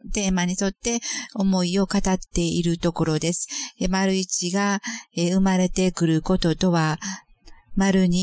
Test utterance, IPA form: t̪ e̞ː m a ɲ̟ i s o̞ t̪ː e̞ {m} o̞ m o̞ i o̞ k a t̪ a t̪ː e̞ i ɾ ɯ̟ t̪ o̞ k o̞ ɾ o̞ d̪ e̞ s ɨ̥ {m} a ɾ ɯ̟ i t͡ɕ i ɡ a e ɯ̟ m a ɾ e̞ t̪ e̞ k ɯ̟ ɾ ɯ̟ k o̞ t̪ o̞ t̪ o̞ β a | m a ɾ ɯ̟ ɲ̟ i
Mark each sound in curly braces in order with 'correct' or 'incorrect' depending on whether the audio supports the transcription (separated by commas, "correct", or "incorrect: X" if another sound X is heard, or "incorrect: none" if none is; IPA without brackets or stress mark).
incorrect: none, correct